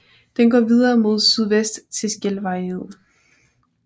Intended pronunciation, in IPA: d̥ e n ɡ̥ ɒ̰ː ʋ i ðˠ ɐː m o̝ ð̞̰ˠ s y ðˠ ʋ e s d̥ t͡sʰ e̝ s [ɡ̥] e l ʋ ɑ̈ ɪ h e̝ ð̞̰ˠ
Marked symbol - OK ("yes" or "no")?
yes